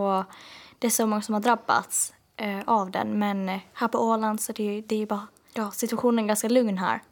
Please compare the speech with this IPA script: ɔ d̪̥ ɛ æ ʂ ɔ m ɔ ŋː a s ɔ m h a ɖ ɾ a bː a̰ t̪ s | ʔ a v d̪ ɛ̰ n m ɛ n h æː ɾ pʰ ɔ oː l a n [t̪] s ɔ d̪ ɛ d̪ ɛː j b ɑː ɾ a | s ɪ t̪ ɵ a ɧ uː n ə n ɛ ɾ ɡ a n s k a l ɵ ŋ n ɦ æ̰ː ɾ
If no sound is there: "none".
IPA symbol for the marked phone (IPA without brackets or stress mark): d̪